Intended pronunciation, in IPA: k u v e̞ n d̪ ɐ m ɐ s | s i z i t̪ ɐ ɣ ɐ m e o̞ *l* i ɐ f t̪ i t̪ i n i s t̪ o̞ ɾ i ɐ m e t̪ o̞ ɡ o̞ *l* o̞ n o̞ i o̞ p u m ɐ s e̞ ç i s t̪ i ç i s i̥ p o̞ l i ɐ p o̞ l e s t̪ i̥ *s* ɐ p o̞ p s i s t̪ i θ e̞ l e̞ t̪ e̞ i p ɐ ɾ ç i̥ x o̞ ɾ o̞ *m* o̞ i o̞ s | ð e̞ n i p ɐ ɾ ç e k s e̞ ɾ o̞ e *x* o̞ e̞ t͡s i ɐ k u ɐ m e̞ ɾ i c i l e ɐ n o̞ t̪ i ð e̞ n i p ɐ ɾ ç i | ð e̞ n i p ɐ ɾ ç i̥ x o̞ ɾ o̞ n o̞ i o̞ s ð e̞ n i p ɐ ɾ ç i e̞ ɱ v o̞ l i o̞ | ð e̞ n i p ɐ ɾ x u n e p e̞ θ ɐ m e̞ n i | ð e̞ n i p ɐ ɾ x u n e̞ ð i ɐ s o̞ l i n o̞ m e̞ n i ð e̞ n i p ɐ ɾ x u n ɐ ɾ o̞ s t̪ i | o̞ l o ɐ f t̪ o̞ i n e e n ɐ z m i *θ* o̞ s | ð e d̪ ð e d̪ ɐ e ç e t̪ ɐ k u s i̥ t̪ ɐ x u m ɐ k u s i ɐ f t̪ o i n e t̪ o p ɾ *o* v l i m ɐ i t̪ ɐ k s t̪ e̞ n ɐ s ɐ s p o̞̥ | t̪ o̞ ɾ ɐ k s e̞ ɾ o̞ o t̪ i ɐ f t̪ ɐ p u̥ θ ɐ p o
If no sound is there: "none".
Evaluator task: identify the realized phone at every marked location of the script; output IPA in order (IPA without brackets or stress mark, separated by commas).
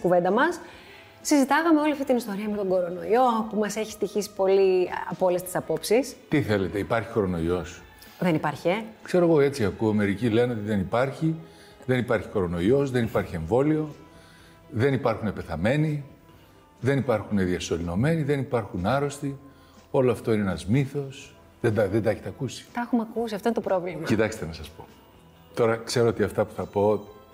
l, ɾ, s, n, ɣ, θ, o